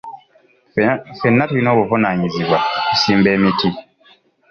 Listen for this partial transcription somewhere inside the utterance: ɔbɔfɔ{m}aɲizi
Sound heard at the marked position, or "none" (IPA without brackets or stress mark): n